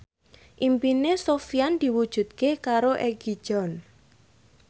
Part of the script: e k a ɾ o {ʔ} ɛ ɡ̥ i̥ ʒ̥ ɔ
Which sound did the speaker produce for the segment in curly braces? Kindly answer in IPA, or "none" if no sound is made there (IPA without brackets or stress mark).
ʔ